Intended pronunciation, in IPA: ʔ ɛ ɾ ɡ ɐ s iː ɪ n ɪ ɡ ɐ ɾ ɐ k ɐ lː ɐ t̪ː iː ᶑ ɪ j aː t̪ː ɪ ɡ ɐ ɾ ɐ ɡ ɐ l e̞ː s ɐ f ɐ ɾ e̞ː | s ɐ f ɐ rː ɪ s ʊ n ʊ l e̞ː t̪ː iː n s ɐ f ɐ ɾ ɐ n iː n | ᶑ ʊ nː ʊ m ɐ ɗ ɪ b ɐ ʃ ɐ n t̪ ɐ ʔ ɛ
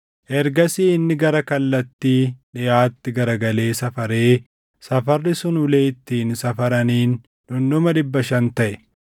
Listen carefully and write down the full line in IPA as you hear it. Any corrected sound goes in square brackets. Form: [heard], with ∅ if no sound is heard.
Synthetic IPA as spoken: ʔ ɛ ɾ ɡ ɐ s iː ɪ [nː] ɪ ɡ ɐ ɾ ɐ k ɐ lː ɐ t̪ː iː ᶑ ɪ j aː t̪ː ɪ ɡ ɐ ɾ ɐ ɡ ɐ l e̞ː s ɐ f ɐ ɾ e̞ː | s ɐ f ɐ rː ɪ s ʊ n ʊ l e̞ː t̪ː iː n s ɐ f ɐ ɾ ɐ n iː n | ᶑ ʊ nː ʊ m ɐ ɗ ɪ [bː] ɐ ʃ ɐ n t̪ ɐ ʔ ɛ

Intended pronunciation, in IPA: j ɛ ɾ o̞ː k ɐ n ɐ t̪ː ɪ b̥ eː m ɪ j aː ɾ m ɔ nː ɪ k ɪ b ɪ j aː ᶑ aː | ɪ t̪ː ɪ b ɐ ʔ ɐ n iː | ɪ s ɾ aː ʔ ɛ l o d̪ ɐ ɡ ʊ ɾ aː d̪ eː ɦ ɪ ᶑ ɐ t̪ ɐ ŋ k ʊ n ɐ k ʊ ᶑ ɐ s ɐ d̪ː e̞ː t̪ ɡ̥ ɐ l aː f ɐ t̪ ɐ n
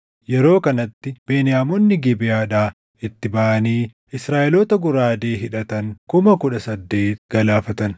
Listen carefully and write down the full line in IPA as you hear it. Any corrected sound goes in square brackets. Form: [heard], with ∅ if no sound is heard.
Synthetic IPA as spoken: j ɛ ɾ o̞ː k ɐ n ɐ t̪ː ɪ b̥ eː [n] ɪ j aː [∅] m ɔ nː ɪ [ɡ] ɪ b ɪ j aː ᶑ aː | ɪ t̪ː ɪ b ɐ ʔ ɐ n iː | ɪ s ɾ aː ʔ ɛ l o [t̪] ɐ ɡ ʊ ɾ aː d̪ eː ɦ ɪ ᶑ ɐ t̪ ɐ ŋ k ʊ [m] ɐ k ʊ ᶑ ɐ s ɐ d̪ː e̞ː t̪ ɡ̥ ɐ l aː f ɐ t̪ ɐ n

